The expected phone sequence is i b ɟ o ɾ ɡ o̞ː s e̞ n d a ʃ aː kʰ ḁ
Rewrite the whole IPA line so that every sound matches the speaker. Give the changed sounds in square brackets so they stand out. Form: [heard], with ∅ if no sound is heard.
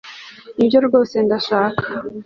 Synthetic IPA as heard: i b ɟ o ɾ ɡ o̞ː s e̞ n d a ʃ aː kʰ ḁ